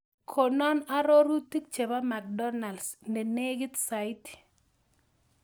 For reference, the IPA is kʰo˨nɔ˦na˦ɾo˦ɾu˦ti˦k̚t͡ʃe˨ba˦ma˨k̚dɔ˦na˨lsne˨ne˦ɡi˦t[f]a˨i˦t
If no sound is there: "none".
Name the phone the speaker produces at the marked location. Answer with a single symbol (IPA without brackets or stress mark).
s